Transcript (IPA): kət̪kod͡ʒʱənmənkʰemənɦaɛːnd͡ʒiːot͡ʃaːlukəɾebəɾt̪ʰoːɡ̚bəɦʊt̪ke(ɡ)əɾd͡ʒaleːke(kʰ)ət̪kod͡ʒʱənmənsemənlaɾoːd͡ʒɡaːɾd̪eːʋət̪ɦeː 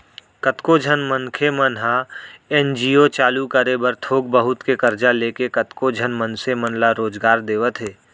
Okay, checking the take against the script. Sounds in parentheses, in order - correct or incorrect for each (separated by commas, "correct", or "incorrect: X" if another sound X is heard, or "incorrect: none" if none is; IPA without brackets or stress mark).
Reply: incorrect: k, incorrect: k